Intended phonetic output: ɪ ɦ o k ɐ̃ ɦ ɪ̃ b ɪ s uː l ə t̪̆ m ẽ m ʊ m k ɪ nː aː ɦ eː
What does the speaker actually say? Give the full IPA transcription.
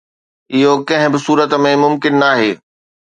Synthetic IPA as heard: ɪ ɦ o k ɐ̃ ɦ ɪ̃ b ɪ s uː ɾ ə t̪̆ m ẽ m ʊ m k ɪ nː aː ɦ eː